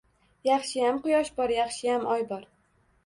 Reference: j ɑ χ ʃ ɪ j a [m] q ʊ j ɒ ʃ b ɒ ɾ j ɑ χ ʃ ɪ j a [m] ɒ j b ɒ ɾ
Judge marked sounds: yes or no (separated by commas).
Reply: yes, yes